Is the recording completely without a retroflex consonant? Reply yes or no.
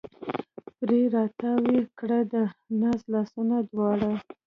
no